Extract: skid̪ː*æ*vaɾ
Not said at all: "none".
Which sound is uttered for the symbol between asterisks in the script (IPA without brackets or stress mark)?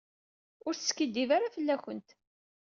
i